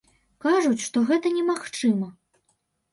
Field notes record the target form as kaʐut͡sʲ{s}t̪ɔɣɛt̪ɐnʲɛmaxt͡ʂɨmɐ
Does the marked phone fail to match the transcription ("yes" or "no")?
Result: yes